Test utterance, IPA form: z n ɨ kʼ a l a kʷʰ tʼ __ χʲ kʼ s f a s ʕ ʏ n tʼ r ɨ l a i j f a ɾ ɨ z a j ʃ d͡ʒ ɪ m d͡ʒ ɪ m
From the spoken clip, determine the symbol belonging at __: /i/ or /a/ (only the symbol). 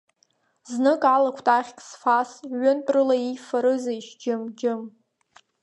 a